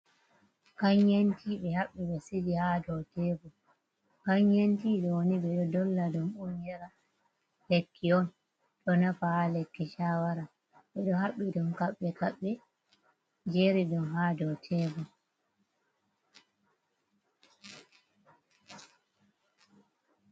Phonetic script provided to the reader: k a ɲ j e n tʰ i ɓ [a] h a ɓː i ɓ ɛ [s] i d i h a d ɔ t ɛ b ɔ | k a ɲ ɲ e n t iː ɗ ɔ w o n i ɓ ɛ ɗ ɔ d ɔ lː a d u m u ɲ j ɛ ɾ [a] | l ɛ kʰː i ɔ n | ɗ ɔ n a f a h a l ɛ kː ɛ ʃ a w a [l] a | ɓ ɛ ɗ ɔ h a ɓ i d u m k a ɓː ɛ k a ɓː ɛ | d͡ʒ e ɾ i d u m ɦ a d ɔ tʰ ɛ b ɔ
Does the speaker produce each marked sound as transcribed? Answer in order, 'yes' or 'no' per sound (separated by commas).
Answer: no, yes, yes, no